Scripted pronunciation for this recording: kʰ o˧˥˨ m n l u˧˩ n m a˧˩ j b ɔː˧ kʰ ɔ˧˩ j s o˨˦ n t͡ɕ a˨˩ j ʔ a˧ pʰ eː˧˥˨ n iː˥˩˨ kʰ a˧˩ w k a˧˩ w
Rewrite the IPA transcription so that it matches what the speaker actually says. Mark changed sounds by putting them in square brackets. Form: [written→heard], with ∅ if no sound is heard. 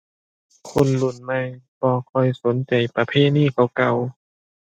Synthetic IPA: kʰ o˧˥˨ [m→∅] n l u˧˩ n m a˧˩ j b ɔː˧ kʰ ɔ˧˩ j s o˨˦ n t͡ɕ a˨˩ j [ʔ→p] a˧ pʰ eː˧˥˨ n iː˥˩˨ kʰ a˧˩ w k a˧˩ w

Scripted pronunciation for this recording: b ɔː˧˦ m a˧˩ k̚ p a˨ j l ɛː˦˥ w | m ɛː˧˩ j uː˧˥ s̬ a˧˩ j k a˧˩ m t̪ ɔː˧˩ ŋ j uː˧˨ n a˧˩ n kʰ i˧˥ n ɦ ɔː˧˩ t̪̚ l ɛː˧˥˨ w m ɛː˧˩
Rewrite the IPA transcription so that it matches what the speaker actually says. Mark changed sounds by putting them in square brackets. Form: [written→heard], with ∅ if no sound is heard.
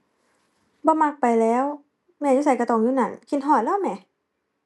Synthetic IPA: b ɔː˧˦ m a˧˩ k̚ p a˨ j l ɛː˦˥ w | m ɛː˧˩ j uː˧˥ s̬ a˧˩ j k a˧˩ [m→∅] t̪ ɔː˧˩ ŋ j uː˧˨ n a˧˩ n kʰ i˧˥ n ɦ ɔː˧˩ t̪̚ l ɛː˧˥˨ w m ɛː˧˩

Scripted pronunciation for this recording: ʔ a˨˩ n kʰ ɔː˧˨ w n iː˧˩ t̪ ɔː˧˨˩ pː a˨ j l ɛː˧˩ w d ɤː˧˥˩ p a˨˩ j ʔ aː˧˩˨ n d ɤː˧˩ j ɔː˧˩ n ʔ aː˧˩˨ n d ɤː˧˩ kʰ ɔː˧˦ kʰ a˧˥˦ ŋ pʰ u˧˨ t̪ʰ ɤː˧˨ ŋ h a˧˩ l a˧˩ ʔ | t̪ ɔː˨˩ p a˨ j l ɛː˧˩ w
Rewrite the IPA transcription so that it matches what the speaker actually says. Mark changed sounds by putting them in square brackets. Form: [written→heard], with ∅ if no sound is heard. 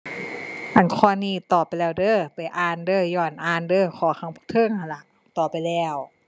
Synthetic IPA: ʔ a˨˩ n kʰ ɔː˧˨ [w→∅] n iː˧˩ t̪ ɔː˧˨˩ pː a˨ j l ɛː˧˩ w d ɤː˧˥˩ p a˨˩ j ʔ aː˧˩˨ n d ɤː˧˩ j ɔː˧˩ n ʔ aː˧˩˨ n d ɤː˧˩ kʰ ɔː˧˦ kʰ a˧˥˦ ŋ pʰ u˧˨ t̪ʰ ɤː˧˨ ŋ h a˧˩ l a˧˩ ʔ | t̪ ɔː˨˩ p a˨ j l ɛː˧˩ w

